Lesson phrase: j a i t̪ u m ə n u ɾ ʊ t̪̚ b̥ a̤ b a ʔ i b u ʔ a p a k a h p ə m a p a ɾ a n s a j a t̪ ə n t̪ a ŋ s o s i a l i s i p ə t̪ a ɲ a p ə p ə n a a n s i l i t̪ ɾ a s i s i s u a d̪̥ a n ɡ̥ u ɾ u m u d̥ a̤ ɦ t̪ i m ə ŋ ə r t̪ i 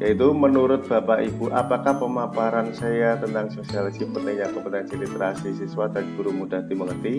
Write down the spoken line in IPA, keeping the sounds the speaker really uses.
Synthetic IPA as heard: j a i t̪ u m ə n u ɾ ʊ t̪̚ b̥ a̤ p a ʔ i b u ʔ a p a k a h p ə m a p a ɾ a n s a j a t̪ ə n t̪ a ŋ s o s i a l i s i p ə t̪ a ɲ a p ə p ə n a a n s i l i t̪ ɾ a s i s i s w a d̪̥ a n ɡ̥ u ɾ u m u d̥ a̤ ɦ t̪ i m ə ŋ ə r t̪ i